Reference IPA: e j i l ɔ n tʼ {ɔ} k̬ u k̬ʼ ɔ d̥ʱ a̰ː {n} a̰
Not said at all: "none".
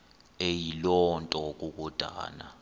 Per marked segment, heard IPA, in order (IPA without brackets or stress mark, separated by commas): ɔ, n